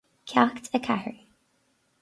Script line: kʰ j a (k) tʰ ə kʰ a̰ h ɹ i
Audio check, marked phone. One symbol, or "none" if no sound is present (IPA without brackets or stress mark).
k